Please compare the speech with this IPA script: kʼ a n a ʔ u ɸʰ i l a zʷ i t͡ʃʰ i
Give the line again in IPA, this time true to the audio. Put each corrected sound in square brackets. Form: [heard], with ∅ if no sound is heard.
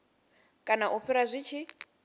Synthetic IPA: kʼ a n a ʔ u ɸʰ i [ɾ] a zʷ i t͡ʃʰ i